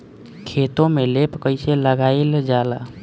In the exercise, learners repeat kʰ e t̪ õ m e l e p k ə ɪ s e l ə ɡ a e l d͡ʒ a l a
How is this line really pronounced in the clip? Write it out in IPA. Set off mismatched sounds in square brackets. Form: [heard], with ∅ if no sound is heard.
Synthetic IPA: kʰ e t̪ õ m e l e p k ə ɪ s e l ə ɡ a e l d͡ʒ a l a